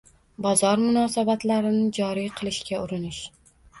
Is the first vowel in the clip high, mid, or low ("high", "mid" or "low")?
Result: low